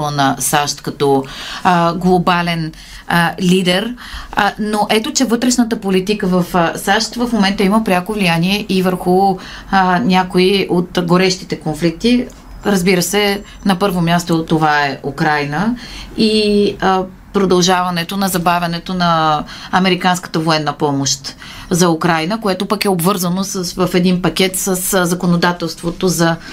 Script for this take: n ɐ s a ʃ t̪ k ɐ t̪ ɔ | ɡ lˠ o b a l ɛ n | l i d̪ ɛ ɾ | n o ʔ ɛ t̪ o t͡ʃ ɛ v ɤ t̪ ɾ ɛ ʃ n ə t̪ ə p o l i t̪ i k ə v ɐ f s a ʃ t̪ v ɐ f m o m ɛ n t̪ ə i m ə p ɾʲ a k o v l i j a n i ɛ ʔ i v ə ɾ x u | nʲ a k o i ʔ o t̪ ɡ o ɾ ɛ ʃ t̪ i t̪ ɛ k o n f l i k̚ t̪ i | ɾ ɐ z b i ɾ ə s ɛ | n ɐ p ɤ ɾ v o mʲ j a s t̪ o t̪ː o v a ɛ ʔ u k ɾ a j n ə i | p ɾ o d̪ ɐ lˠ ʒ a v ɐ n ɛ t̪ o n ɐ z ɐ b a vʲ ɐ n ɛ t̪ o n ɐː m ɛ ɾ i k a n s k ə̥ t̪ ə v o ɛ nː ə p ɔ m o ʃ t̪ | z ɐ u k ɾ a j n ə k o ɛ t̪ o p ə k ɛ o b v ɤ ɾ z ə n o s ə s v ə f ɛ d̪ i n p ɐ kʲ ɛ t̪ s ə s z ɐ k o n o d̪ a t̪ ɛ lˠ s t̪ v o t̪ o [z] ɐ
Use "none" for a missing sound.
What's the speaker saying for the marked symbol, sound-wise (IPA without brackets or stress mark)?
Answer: z